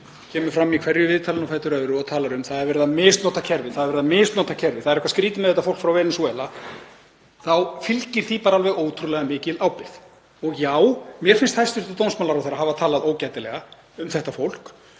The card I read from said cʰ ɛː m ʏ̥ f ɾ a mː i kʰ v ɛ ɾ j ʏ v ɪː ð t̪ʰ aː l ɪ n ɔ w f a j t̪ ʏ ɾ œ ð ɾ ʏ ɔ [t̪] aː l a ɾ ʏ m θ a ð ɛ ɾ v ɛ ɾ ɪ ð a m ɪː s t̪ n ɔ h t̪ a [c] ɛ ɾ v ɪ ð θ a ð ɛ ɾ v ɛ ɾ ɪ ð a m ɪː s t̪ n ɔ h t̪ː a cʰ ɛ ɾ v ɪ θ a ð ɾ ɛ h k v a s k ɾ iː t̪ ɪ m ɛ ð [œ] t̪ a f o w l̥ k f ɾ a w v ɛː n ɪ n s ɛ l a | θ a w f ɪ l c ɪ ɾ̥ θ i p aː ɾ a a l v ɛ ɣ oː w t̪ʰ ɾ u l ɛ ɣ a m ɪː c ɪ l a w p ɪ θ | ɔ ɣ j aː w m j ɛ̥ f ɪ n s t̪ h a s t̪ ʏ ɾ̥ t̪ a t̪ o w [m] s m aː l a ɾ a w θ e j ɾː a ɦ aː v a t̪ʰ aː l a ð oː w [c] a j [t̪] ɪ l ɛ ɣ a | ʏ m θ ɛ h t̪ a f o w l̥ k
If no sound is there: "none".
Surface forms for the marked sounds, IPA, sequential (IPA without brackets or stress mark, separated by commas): t̪ʰ, cʰ, ɛ, n, c, t̪